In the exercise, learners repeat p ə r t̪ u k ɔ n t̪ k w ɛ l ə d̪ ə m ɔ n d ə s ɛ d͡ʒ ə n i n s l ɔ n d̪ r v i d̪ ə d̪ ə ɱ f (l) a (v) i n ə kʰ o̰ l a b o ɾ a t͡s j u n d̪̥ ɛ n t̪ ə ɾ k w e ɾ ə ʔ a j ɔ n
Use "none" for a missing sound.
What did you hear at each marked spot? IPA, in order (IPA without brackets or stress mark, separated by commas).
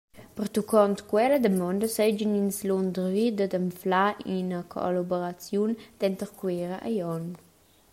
l, none